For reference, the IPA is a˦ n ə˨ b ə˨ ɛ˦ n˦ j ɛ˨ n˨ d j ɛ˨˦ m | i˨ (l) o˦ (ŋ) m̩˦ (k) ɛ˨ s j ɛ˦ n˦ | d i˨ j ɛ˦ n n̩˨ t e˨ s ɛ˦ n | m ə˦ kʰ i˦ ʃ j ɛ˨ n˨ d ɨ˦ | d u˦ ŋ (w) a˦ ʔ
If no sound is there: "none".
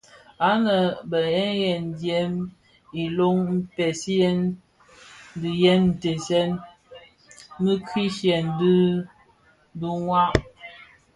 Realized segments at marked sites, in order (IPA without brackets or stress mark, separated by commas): l, ŋ, p, w